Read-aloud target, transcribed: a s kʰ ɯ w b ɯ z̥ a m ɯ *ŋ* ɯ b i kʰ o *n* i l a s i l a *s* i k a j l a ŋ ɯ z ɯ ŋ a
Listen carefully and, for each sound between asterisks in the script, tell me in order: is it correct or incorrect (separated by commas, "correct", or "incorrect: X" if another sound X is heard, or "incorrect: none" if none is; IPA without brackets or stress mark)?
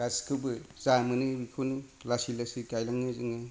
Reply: incorrect: n, correct, correct